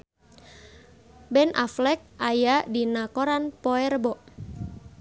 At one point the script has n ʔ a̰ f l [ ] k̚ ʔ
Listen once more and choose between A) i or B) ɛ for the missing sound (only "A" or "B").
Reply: B